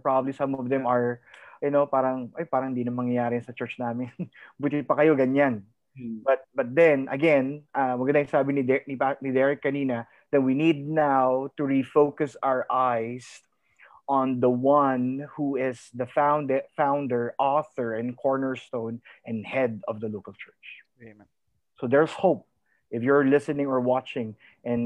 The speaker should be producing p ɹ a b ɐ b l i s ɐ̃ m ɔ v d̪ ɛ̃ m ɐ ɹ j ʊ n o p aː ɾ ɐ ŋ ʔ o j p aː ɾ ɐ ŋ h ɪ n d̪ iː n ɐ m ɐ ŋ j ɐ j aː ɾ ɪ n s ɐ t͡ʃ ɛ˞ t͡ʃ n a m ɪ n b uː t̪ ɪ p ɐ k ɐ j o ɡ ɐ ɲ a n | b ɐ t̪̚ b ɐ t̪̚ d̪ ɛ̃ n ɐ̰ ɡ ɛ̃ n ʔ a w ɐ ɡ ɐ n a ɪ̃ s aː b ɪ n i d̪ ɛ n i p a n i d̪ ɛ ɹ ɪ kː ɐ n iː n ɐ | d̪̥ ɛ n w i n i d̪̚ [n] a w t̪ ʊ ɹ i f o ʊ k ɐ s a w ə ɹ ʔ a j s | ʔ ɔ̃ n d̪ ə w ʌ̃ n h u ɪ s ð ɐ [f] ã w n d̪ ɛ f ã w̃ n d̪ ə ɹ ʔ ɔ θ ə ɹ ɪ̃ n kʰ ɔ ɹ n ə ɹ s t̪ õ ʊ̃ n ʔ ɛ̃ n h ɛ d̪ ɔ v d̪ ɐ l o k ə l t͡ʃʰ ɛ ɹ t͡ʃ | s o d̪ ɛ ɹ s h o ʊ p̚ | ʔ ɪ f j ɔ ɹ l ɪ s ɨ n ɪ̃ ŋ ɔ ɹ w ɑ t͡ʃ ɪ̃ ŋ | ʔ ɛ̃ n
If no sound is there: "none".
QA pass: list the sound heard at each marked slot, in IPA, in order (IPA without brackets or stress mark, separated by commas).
n, f